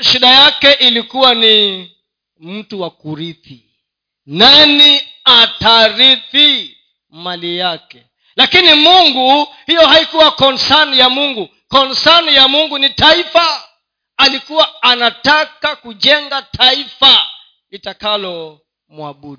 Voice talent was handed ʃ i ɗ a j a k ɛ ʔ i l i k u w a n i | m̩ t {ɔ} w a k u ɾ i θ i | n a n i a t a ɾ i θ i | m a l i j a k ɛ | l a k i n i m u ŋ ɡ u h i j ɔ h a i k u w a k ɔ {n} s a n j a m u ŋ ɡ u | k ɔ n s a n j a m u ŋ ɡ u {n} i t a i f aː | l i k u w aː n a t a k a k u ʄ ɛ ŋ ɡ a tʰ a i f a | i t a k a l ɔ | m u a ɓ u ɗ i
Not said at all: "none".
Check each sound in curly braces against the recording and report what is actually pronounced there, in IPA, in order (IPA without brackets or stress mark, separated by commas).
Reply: u, n, n